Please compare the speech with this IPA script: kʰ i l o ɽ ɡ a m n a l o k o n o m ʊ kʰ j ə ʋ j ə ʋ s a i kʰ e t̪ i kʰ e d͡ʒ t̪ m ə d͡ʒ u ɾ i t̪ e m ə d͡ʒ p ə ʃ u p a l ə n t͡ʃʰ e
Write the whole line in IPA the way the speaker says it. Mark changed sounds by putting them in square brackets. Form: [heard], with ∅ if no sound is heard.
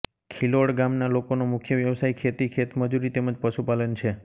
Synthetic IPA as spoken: kʰ i l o ɽ ɡ a m n a l o k o n o m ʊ kʰ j ə ʋ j ə ʋ s a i kʰ e t̪ i kʰ e [∅] t̪ m ə d͡ʒ u ɾ i t̪ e m ə d͡ʒ p ə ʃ u p a l ə n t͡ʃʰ e